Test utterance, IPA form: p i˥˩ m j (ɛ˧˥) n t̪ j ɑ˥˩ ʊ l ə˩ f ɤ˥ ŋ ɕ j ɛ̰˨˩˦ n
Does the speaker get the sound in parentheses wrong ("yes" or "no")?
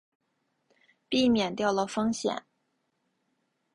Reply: yes